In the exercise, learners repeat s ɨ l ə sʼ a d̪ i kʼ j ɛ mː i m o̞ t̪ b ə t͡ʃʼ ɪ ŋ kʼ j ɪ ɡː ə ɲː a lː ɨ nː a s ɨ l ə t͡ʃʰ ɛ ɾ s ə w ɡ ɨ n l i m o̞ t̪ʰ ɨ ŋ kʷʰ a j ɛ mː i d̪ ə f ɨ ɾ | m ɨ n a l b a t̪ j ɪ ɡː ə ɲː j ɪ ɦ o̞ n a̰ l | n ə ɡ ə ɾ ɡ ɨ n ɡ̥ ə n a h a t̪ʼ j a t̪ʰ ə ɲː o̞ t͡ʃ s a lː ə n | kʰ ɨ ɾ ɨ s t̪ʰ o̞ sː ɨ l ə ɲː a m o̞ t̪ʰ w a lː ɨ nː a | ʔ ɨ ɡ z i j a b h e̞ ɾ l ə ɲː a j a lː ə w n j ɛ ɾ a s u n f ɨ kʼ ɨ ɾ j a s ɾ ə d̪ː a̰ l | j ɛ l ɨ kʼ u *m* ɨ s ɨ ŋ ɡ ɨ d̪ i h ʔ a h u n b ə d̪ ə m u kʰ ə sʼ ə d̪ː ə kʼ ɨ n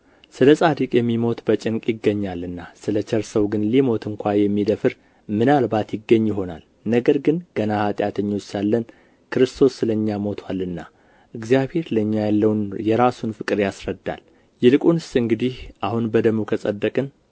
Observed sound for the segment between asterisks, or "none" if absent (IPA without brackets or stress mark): n